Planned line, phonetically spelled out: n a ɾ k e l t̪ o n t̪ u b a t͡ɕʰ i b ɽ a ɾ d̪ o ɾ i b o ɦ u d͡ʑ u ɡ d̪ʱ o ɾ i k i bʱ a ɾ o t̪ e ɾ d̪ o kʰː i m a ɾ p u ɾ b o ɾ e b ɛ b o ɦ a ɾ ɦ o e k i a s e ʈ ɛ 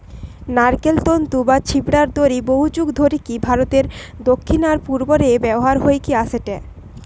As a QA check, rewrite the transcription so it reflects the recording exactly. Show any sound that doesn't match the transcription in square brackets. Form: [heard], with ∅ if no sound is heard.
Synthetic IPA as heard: n a ɾ k e l t̪ o n t̪ u b a t͡ɕʰ i b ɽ a ɾ d̪ o ɾ i b o ɦ u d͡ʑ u ɡ d̪ʱ o ɾ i k i bʱ a ɾ o t̪ e ɾ d̪ o kʰː i [n] a ɾ p u ɾ b o ɾ e b ɛ b o ɦ a ɾ ɦ o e k i a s e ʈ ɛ